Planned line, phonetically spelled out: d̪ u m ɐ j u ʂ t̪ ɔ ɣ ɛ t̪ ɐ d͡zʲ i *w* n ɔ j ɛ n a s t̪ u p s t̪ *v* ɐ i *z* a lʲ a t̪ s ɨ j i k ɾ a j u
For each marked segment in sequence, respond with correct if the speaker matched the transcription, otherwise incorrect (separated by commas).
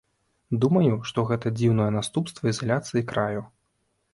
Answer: correct, correct, correct